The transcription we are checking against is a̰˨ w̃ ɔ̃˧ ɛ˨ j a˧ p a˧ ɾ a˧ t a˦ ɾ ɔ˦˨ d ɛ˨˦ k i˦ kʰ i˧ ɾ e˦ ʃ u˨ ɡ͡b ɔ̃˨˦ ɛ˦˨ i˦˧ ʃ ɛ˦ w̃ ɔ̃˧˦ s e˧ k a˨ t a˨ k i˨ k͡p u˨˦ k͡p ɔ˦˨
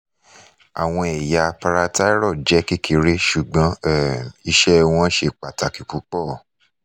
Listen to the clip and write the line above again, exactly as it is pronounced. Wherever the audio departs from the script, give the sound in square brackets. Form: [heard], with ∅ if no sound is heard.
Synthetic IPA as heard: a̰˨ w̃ ɔ̃˧ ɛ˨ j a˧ p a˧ ɾ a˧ t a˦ ɾ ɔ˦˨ [d͡ʒ] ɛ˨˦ k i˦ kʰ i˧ ɾ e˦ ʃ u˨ ɡ͡b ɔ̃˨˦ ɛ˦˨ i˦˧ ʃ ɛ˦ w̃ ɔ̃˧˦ [ʃ] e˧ [k͡p] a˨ t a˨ k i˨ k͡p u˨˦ k͡p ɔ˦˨